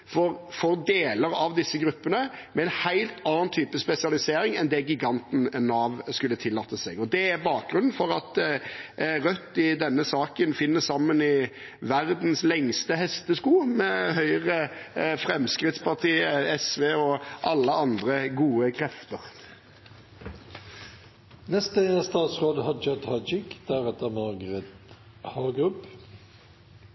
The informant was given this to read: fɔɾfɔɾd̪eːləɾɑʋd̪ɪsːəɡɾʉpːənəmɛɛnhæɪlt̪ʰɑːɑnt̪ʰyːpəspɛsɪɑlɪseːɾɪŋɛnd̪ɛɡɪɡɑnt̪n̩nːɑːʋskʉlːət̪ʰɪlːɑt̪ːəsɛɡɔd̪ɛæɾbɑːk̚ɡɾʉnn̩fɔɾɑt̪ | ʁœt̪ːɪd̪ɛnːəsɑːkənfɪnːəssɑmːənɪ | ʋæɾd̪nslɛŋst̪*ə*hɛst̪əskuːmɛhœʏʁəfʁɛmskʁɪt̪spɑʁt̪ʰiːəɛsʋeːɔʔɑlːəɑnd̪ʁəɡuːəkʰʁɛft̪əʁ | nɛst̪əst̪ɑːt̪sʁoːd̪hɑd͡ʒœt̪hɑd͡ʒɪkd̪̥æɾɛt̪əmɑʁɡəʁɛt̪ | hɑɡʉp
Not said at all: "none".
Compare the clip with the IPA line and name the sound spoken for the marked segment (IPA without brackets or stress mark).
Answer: ə